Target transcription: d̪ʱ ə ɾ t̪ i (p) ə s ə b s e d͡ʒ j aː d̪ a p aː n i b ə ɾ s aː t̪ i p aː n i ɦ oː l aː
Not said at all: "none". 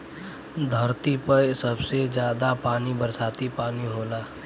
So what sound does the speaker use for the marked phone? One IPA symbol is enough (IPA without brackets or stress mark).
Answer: p